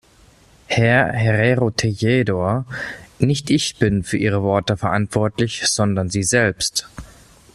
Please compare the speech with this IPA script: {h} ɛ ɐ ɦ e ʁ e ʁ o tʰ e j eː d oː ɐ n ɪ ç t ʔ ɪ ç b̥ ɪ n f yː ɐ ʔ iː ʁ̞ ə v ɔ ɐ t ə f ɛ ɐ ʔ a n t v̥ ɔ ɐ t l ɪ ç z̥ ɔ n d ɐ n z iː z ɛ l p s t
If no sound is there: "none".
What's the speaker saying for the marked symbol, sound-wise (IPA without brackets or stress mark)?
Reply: h